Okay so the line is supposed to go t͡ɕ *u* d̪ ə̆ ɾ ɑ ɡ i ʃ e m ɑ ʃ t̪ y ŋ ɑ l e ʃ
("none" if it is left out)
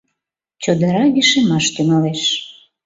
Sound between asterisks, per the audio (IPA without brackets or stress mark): o